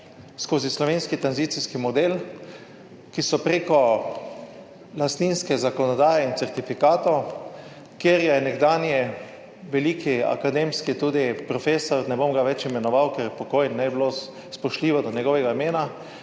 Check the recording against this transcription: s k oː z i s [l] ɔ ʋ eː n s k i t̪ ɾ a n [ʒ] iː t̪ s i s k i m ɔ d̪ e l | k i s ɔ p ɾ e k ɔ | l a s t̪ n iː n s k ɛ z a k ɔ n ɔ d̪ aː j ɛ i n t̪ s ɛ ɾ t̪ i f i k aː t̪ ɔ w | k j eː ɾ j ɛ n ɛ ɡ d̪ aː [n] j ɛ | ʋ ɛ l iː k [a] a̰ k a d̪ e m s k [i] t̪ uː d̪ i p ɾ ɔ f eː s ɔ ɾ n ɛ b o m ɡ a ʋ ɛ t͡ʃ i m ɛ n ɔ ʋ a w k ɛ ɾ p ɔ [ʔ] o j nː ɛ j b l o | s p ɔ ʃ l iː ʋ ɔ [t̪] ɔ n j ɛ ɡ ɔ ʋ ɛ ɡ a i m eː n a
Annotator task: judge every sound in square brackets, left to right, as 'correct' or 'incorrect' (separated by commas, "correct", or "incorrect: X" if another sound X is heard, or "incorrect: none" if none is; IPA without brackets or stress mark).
correct, incorrect: z, correct, incorrect: i, correct, incorrect: k, incorrect: d̪